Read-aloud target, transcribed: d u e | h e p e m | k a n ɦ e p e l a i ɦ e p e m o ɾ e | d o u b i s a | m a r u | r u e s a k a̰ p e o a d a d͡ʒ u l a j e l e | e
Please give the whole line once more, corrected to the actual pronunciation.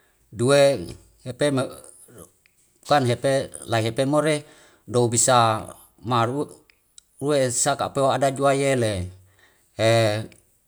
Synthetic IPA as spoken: d u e | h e p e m | k a n ɦ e p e l a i ɦ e p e m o ɾ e | d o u b i s a | m a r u | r u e s a k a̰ p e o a d a d͡ʒ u a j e l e | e

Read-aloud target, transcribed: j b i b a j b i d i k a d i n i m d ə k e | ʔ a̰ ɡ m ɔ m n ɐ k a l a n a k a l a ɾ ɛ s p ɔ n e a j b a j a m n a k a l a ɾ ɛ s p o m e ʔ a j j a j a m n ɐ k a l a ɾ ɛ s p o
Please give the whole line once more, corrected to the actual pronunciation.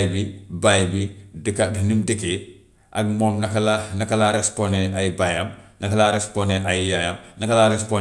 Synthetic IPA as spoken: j b i b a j b i d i k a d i n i m d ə k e | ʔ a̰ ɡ m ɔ m n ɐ k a l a n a k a l a ɾ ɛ s p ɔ n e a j b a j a m n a k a l a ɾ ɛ s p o n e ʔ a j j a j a m n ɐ k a l a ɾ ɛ s p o

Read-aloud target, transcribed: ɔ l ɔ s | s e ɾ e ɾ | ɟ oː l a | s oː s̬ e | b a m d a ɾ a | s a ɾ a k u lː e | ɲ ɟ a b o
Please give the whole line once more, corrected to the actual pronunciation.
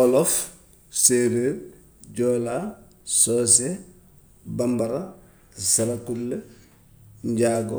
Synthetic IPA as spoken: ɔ l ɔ f | s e ɾ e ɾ | ɟ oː l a | s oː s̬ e | b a m b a ɾ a | s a ɾ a k u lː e | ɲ ɟ a ɡ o

